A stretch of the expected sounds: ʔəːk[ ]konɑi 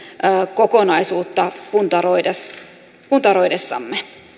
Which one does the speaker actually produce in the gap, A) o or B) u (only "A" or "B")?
A